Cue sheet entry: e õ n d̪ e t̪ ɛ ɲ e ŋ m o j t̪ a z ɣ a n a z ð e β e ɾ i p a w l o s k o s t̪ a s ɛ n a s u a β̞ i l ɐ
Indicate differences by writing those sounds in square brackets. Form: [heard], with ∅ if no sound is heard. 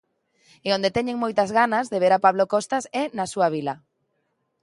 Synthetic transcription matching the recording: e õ n d̪ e t̪ ɛ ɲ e ŋ m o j t̪ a z ɣ a n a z ð e β e ɾ [a] p a [β] l o [∅] k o s t̪ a s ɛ n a s u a β̞ i l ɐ